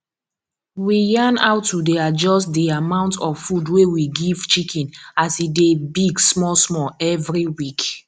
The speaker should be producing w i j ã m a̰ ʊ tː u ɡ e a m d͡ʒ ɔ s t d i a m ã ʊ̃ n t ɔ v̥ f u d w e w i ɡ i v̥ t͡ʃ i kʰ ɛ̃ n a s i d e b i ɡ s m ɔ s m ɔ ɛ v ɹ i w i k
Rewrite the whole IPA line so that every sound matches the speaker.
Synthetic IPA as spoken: w i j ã n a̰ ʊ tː u d e a d͡ʒ ɔ s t d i a m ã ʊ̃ n t ɔ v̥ f u d w e w i ɡ i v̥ t͡ʃ i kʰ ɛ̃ n a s i d e b i ɡ s m ɔ s m ɔ ɛ v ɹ i w i k